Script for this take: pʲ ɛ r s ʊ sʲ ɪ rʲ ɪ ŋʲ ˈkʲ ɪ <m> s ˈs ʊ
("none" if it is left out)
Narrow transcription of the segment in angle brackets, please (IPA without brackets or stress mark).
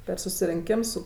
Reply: m